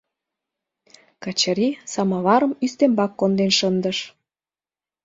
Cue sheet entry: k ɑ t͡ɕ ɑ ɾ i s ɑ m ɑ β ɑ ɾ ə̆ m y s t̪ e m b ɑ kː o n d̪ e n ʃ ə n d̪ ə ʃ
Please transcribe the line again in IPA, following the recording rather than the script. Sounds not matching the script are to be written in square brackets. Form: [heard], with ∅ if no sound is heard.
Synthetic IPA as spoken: k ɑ t͡ɕ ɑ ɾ i s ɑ m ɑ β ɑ ɾ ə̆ m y s t̪ e m b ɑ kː o n d̪ e n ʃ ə n d̪ ə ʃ